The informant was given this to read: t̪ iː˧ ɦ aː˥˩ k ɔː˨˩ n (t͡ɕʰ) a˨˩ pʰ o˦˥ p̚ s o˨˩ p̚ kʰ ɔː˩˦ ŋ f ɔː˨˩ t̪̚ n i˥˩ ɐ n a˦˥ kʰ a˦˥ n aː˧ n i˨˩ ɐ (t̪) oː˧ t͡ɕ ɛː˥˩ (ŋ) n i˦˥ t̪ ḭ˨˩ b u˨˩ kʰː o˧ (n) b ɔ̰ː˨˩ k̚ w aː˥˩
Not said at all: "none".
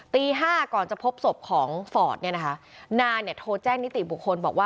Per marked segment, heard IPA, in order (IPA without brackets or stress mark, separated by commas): t͡ɕ, t̪ʰ, ŋ, n